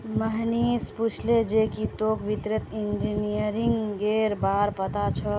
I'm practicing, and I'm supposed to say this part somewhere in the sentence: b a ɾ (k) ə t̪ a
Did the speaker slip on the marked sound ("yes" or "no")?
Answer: yes